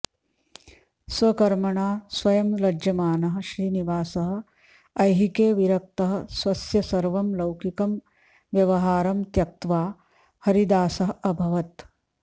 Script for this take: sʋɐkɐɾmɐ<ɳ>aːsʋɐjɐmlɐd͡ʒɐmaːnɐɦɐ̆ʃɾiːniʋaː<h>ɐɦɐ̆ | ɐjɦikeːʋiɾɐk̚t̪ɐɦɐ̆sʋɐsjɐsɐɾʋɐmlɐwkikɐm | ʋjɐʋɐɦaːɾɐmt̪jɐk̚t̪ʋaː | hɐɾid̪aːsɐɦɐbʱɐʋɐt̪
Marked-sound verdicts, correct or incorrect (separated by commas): correct, incorrect